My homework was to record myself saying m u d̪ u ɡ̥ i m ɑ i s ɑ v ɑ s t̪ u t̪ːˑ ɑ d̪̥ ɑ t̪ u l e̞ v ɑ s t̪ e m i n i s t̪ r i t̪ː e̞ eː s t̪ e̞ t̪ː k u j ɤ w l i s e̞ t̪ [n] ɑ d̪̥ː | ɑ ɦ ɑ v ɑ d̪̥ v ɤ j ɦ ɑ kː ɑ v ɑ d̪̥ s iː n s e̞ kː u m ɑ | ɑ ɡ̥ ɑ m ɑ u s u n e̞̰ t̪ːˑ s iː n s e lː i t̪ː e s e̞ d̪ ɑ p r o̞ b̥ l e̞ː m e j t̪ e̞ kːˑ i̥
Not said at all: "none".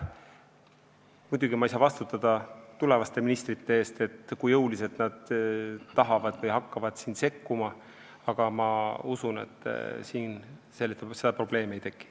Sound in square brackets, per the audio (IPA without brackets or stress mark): n